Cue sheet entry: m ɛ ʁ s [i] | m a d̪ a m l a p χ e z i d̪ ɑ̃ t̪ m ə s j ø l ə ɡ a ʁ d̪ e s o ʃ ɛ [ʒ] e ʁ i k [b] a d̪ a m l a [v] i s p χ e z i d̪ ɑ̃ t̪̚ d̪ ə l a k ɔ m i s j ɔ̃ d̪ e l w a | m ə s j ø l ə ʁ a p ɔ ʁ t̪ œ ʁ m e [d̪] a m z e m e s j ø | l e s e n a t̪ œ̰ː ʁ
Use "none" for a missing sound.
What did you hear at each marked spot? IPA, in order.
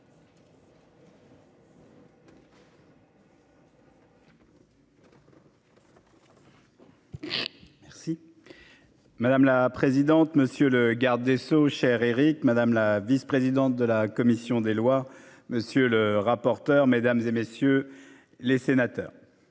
i, ʁ, m, v, d̪

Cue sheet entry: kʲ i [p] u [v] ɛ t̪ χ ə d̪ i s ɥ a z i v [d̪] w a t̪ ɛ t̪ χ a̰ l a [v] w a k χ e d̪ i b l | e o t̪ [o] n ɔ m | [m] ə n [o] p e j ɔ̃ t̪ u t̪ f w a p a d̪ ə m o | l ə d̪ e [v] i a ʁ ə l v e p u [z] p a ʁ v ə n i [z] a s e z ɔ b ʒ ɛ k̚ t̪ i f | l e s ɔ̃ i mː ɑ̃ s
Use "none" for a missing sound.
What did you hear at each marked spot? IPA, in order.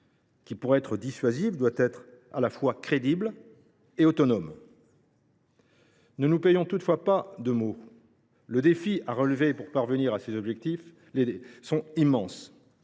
p, ʁ, d̪, f, ɔ, n, u, f, ʁ, ʁ

